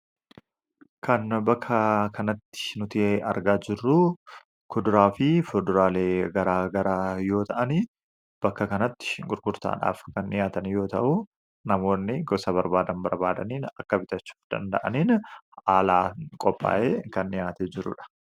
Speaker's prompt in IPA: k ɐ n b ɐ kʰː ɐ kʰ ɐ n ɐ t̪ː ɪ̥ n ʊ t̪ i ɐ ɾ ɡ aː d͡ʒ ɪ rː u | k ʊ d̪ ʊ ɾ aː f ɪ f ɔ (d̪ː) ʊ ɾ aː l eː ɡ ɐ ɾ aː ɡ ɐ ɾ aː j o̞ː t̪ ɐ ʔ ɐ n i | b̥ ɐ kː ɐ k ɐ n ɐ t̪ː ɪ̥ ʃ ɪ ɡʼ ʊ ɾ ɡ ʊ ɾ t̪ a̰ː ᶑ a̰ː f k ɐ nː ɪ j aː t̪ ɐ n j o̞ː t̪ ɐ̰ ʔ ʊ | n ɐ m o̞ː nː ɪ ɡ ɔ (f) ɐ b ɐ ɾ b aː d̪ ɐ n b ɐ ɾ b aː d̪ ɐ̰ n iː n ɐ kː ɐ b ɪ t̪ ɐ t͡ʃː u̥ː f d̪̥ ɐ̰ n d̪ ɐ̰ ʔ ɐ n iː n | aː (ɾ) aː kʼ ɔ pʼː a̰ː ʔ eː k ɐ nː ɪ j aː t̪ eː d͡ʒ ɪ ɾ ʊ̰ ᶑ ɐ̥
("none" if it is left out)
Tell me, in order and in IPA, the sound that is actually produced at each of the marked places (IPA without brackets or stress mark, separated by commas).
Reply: d̪, s, l